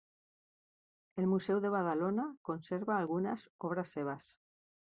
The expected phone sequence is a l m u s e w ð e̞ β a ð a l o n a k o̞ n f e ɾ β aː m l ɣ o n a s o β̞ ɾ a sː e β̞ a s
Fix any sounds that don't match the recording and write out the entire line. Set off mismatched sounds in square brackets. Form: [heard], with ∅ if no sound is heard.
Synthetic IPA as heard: [e] l m u s e w ð e̞ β a ð a l o n a k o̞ n [s] e ɾ β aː [∅] l ɣ [u] n a s o β̞ ɾ a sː e β̞ a s